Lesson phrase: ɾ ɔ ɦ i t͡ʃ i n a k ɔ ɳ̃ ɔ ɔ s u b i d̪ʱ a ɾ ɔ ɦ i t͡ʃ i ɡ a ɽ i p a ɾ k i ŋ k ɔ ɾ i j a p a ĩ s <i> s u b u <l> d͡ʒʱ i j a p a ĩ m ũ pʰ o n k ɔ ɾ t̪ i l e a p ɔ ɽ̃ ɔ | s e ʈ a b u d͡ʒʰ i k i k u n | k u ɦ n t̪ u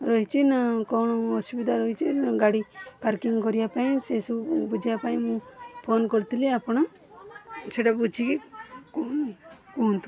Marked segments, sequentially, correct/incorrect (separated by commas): incorrect, incorrect